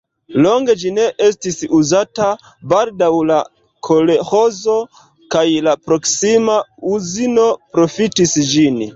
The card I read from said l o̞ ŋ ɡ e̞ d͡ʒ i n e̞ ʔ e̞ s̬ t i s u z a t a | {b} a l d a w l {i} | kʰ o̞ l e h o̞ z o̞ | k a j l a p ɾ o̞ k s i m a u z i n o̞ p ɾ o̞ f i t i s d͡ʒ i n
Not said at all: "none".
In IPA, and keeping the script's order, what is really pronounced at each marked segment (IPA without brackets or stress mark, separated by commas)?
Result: b, a